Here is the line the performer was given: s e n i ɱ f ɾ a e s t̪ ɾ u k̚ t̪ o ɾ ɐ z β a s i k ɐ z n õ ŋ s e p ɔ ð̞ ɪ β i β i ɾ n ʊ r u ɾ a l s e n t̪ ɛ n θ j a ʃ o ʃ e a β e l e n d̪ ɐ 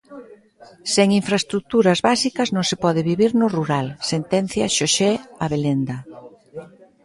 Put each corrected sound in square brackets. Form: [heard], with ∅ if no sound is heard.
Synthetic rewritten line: s e [ŋ] i ɱ f ɾ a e s t̪ ɾ u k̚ t̪ [u] ɾ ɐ z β a s i k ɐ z n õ ŋ s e p ɔ ð̞ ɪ β i β i ɾ n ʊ r u ɾ a l s e n t̪ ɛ n θ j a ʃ o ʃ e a β e l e n d̪ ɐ

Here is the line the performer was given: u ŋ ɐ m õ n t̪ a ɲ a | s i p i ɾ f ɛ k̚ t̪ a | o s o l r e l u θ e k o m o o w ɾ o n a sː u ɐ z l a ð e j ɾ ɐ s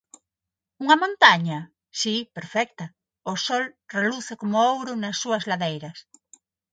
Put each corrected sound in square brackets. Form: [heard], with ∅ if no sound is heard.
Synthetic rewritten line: u ŋ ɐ m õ n t̪ a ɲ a | s i p [e] ɾ f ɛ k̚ t̪ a | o s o l r e l u θ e k o m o o w ɾ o n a sː u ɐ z l a ð e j ɾ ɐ s

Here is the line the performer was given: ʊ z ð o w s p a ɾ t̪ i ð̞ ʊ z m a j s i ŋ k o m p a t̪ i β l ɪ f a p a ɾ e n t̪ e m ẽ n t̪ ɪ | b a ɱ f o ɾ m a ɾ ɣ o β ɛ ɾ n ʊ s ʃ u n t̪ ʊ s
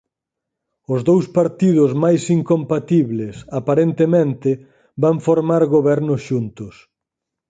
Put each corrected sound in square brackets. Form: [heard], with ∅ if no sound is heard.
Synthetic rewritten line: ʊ z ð o w s p a ɾ t̪ i ð̞ ʊ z m a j s i ŋ k o m p a t̪ i β l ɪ [s] a p a ɾ e n t̪ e m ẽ n t̪ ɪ | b a ɱ f o ɾ m a ɾ ɣ o β ɛ ɾ n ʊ s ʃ u n t̪ ʊ s

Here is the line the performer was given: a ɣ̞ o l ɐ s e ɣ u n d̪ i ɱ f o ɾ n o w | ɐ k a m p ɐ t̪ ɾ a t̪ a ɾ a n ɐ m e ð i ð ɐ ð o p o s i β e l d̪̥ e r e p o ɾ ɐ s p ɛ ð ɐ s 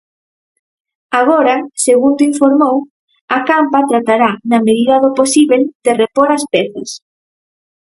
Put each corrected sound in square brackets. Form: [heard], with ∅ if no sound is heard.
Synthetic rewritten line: a ɣ̞ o [ɾ] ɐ s e ɣ u n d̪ i ɱ f o ɾ [m] o w | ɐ k a m p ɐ t̪ ɾ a t̪ a ɾ a n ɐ m e ð i ð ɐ ð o p o s i β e l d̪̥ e r e p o ɾ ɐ s p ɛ [θ] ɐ s

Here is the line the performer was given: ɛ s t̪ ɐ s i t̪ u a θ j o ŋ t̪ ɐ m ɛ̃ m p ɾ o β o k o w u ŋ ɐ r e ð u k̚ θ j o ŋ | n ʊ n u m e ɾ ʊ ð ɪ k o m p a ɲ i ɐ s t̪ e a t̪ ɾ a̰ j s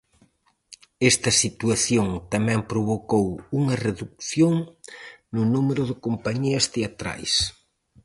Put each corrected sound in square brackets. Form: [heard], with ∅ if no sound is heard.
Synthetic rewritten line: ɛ s t̪ ɐ s i t̪ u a θ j o ŋ t̪ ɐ m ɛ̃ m p ɾ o β o k o w u ŋ ɐ r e ð u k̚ θ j o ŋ | n ʊ n u m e ɾ ʊ ð ɪ k o m p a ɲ i ɐ s t̪ e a t̪ ɾ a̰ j s

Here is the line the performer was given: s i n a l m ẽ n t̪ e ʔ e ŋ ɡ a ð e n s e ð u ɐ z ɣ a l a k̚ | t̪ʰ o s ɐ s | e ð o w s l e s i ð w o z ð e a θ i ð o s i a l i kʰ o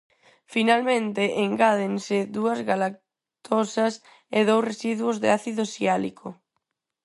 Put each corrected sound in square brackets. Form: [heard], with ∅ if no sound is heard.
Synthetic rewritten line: [f] i n a l m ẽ n t̪ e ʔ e ŋ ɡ a ð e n s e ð u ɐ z ɣ a l a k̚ | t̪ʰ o s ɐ s | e ð o w s [r] e s i ð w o z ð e a θ i ð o s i a l i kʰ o

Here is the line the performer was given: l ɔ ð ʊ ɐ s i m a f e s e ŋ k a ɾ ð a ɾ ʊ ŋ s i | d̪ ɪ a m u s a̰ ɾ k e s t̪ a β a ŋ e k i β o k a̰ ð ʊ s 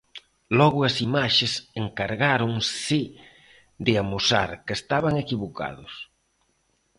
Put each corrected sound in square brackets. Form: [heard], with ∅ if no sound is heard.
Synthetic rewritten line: l ɔ [ɣ] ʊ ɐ s i m a [ʃ] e s e ŋ k a ɾ [ɣ] a ɾ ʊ ŋ s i | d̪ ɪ a m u s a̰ ɾ k e s t̪ a β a ŋ e k i β o k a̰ ð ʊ s

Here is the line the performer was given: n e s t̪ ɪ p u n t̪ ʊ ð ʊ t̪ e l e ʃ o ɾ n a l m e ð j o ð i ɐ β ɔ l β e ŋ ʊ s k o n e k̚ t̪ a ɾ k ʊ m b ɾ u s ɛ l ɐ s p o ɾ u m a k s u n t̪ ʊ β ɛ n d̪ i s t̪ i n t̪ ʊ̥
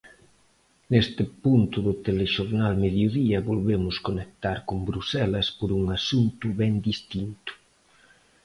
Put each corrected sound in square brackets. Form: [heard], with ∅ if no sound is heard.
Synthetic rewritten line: n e s t̪ ɪ p u n t̪ ʊ ð ʊ t̪ e l e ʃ o ɾ n a l m e ð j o ð i ɐ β [o] l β e [m] ʊ s k o n e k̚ t̪ a ɾ k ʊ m b ɾ u s ɛ l ɐ s p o ɾ u [ŋ] a [∅] s u n t̪ ʊ β ɛ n d̪ i s t̪ i n t̪ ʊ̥

